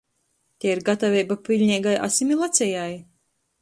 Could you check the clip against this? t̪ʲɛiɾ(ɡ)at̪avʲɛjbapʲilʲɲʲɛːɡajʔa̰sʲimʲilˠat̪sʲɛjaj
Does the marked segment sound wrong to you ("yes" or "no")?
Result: no